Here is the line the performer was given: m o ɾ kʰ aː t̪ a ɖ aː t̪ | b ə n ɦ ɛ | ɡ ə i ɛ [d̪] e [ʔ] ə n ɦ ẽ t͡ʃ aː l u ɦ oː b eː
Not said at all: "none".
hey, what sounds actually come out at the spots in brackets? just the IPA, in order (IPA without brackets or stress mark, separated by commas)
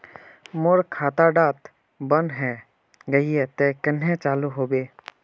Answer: t̪, k